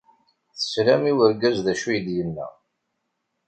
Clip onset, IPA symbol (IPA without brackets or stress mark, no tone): θ